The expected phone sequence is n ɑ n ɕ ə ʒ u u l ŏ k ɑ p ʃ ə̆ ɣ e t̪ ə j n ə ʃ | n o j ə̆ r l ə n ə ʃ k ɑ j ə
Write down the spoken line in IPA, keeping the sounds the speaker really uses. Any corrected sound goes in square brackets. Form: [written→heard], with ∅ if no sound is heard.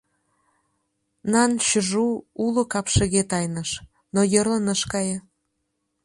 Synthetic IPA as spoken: n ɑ n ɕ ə ʒ u u l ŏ k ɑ p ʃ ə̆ ɣ e t̪ [ə→ɑ] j n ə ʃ | n o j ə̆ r l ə n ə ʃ k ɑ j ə